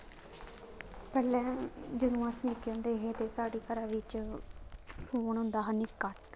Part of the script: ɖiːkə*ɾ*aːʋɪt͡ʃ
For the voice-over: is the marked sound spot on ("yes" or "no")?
yes